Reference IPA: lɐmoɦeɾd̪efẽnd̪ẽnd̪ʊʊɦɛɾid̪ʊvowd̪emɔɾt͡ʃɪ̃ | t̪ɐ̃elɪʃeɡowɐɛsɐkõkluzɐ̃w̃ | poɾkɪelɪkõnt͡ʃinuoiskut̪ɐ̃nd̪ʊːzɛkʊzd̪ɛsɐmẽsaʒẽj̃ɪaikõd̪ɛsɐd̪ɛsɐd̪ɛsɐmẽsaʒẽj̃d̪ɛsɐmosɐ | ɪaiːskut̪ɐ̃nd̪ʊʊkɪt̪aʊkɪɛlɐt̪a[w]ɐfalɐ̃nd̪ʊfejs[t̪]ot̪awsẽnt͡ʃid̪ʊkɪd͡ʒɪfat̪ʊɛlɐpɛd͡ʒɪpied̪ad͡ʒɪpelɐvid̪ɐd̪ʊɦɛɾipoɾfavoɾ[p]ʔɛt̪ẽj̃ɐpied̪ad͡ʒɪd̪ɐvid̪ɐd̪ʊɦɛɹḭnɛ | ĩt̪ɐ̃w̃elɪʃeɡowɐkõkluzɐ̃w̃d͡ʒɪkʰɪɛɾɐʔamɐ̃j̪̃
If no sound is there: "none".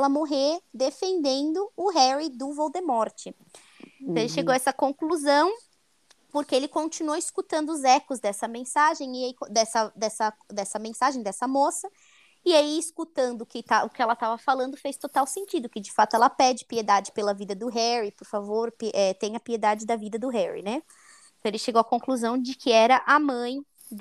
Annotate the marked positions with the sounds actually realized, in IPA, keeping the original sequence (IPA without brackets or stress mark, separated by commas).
v, t̪, p